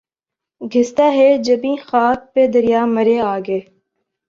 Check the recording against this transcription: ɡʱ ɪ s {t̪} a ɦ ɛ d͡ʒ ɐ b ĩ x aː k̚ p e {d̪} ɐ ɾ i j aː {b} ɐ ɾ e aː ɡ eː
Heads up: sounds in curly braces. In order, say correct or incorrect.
correct, correct, incorrect: m

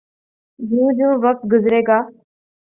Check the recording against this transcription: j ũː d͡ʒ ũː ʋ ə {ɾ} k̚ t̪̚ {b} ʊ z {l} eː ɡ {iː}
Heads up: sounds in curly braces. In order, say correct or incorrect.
incorrect: none, incorrect: ɡ, incorrect: ɾ, incorrect: aː

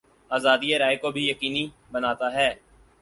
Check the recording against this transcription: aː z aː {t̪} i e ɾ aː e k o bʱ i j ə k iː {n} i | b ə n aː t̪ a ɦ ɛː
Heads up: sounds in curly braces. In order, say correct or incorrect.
incorrect: d̪, correct

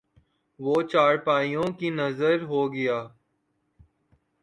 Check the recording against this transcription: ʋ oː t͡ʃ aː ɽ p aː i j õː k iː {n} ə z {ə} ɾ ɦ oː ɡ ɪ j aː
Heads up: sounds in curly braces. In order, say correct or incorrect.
correct, correct

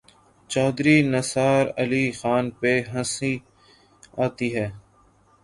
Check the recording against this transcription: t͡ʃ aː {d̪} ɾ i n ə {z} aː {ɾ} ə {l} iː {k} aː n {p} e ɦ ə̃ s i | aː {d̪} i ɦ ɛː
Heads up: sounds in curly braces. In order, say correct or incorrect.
correct, incorrect: s, correct, correct, incorrect: x, correct, incorrect: t̪

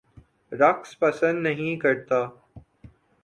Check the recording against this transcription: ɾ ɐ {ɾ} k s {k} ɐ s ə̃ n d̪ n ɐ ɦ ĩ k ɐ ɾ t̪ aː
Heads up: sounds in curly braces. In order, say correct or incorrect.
incorrect: none, incorrect: p

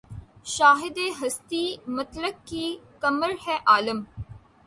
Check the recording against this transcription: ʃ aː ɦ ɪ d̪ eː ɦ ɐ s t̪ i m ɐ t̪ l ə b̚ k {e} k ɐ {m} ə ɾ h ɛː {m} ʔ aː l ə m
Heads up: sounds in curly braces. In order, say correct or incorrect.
incorrect: i, correct, incorrect: none

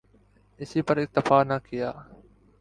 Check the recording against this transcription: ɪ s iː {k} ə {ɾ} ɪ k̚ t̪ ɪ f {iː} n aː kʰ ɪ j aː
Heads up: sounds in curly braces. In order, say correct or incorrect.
incorrect: p, correct, incorrect: aː

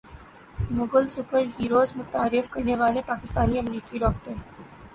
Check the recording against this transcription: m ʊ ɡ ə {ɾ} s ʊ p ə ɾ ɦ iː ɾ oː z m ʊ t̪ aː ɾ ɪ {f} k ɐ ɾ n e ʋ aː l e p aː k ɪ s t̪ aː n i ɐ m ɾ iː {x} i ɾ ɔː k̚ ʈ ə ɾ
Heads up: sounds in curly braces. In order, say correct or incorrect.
incorrect: l, correct, incorrect: k

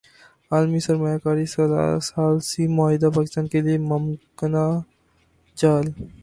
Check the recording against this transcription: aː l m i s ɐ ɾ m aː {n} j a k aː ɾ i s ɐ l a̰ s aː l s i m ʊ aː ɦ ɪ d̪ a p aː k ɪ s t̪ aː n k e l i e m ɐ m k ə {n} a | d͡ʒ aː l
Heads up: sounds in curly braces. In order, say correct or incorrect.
incorrect: none, correct

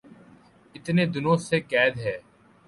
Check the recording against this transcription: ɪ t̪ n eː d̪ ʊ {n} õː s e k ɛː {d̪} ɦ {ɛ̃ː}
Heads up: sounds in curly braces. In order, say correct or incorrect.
correct, correct, incorrect: ɛː

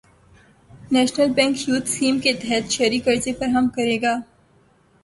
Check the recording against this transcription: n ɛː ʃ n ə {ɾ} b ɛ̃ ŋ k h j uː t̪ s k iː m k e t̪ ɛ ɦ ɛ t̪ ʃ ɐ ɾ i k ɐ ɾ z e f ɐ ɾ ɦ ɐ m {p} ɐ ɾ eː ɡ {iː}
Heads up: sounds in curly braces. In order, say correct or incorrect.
incorrect: l, incorrect: k, incorrect: aː

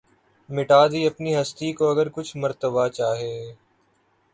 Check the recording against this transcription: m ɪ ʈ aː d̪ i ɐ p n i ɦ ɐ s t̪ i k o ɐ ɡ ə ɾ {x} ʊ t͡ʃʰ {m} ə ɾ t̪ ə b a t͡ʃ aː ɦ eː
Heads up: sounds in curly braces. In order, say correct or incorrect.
incorrect: k, correct

